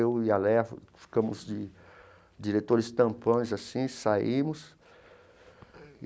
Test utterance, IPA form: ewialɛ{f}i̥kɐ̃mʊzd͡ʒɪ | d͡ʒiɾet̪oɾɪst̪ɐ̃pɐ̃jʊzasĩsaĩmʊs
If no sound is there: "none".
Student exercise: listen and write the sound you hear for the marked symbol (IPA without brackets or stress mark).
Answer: f